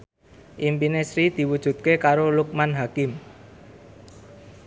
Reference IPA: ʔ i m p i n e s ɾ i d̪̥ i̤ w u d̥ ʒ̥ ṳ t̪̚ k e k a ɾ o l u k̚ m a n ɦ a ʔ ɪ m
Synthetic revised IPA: ʔ i m p i n e s ɾ i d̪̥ i̤ w u d̥ ʒ̥ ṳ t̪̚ k e k a ɾ o l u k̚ m a n ɦ a k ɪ m